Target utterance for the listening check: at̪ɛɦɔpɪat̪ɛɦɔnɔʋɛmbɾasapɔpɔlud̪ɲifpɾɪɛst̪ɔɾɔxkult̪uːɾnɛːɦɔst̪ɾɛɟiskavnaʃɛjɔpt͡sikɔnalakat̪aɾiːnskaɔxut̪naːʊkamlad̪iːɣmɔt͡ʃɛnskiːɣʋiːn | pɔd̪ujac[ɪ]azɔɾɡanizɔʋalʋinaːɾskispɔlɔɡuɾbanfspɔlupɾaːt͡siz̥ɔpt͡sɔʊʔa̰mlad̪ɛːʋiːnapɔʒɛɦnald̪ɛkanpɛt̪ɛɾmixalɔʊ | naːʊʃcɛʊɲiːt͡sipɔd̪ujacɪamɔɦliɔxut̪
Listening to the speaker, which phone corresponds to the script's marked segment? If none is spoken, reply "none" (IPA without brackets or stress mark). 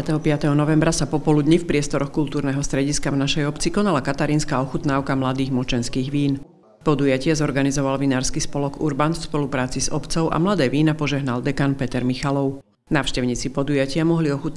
ɪ